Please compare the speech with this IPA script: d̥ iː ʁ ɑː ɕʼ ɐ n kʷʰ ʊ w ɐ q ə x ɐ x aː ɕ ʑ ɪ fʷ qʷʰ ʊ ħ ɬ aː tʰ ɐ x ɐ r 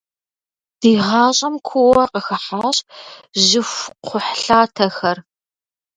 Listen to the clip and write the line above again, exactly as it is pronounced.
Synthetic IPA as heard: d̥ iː ʁ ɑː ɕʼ ɐ m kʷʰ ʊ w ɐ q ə x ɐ ħ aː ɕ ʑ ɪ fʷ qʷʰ ʊ ħ ɬ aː tʰ ɐ x ɐ r